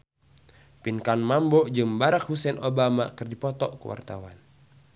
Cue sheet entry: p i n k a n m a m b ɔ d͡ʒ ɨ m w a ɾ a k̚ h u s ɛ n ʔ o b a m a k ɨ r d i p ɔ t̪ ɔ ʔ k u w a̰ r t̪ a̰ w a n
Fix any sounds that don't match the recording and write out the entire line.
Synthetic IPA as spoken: p i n k a n m a m b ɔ d͡ʒ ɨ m b a ɾ a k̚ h u s ɛ n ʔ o b a m a k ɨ r d i p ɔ t̪ ɔ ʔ k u w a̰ r t̪ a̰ w a n